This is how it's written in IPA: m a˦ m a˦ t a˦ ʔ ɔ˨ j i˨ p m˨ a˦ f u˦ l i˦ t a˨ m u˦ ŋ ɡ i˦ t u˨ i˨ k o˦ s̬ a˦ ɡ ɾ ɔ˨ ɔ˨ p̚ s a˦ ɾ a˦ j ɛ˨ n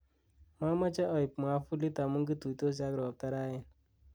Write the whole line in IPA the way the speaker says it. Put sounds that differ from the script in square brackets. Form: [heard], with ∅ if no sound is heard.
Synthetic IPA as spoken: m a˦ m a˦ [t͡ʃ] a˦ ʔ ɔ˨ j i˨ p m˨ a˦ f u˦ l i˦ t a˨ m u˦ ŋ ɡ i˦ t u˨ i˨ [t] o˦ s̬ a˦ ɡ ɾ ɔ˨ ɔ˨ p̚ [t] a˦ ɾ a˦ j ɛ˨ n